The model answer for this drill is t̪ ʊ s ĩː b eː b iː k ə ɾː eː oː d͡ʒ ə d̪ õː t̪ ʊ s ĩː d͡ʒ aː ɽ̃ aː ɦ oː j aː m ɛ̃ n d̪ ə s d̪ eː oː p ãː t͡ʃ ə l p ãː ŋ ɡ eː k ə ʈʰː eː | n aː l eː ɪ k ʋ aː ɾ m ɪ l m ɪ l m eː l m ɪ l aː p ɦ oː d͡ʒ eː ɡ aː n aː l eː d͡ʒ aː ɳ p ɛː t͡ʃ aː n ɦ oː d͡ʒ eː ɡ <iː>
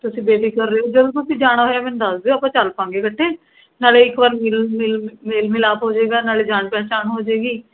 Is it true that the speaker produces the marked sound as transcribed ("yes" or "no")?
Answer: yes